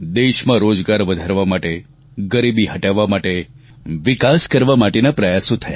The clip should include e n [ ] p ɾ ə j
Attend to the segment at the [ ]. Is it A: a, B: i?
A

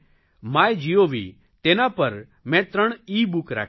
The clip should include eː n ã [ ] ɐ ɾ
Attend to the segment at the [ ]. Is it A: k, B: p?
B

